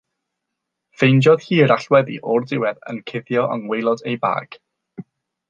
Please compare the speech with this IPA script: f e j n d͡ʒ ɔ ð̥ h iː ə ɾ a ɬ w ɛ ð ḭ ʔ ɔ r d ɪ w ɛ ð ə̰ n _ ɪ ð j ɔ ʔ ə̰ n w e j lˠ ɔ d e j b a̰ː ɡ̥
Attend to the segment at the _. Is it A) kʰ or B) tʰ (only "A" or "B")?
A